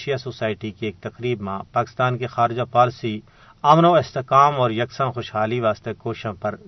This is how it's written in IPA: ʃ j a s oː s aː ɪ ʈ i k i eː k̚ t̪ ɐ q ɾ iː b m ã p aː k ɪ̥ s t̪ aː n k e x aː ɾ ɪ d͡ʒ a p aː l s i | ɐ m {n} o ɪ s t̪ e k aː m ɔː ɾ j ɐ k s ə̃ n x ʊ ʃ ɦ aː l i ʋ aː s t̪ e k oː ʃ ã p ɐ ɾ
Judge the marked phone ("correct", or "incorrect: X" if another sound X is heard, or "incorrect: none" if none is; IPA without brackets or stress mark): correct